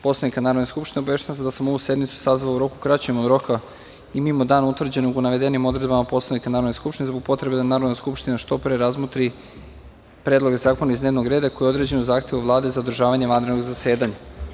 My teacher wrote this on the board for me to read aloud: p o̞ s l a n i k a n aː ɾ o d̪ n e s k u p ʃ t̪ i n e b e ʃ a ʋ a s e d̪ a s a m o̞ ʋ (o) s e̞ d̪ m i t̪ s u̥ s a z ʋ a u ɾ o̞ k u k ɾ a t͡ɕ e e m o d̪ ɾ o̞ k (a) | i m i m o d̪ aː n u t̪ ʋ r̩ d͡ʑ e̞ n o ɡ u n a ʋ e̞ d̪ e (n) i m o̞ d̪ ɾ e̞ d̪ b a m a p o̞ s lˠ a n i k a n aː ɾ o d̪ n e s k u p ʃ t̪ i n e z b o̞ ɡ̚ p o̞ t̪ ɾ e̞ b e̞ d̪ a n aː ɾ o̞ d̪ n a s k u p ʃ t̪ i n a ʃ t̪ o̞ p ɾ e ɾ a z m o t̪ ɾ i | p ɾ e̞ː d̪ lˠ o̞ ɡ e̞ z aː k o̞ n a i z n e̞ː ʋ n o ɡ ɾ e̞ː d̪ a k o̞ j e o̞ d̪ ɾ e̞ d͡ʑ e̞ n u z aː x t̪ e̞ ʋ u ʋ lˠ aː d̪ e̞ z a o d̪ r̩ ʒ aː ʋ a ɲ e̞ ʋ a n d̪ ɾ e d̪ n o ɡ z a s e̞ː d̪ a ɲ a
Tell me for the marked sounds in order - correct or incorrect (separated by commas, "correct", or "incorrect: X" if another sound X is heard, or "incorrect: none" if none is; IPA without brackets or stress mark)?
incorrect: u, correct, correct